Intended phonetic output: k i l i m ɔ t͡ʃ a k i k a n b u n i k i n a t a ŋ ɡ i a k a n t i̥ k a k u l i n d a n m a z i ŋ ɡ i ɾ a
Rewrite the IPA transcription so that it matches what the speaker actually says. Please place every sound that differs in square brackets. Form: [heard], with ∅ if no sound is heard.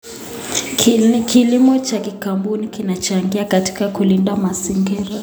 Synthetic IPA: k i l i m ɔ t͡ʃ a k i k a [m] b u n i k i n a [t͡ʃ] a ŋ ɡ i a k a [∅] t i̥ k a k u l i n d a [∅] m a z i ŋ ɡ i ɾ a

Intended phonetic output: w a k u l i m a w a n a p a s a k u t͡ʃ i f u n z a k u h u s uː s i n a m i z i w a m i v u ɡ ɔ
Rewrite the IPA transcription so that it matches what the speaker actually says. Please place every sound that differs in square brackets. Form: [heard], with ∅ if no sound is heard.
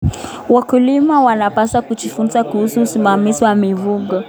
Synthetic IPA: w a k u l i m a w a n a p a s a k u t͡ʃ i f u n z a k u h u s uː s i [m] a m i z i w a m i v u ɡ ɔ

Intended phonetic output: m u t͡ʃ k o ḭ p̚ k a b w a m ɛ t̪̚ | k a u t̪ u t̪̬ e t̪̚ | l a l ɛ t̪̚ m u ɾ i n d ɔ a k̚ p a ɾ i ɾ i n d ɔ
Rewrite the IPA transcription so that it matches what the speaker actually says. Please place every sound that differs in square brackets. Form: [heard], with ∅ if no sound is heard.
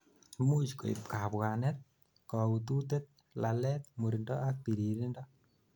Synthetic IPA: m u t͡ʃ k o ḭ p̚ k a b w a [n] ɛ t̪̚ | k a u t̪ u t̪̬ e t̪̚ | l a l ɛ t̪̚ m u ɾ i n d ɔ a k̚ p [i] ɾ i ɾ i n d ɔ

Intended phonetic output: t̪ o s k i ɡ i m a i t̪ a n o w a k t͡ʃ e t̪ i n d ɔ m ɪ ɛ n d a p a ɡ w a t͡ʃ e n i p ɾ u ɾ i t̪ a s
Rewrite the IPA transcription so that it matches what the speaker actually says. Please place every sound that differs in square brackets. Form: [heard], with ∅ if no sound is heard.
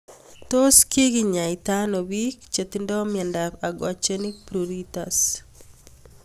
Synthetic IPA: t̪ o s k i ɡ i [ɲ] a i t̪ a n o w [i] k t͡ʃ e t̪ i n d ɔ m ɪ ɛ n d a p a ɡ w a t͡ʃ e n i p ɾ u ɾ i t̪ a s

